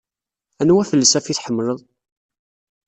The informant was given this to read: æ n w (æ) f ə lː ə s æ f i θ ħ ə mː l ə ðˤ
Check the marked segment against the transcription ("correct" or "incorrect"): correct